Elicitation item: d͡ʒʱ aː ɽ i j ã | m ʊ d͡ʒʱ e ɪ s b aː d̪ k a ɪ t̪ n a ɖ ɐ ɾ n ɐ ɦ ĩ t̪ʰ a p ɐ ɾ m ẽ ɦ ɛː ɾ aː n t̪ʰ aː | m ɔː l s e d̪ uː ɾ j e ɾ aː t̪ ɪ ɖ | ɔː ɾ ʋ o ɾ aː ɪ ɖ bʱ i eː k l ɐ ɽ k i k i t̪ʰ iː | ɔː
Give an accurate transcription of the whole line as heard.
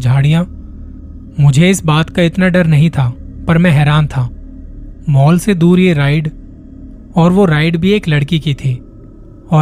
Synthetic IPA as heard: d͡ʒʱ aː ɽ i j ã | m ʊ d͡ʒʱ e ɪ s b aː t̪ k a ɪ t̪ n a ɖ ɐ ɾ n ɐ ɦ ĩ t̪ʰ a p ɐ ɾ m ɛ̃ ɦ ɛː ɾ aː n t̪ʰ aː | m ɔː l s e d̪ uː ɾ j e ɾ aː ɪ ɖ | ɔː ɾ ʋ o ɾ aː ɪ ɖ bʱ i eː k l ɐ ɽ k i k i t̪ʰ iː | ɔː